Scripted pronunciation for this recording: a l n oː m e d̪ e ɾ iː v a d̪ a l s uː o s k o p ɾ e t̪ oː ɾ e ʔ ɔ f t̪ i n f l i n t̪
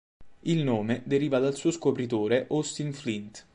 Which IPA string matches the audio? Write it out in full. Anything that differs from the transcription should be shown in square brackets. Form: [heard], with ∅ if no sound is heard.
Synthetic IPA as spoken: [i] l n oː m e d̪ e ɾ iː v a d̪ a l s uː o s k o p ɾ [i] t̪ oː ɾ e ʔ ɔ [s] t̪ i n f l i n t̪